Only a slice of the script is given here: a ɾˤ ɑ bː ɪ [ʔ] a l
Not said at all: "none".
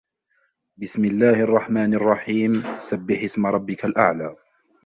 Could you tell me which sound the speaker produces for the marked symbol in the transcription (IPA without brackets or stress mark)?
k